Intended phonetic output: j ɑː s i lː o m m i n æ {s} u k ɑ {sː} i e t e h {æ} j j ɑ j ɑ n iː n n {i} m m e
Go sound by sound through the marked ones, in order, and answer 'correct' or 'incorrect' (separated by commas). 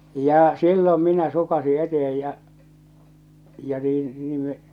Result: correct, incorrect, incorrect, incorrect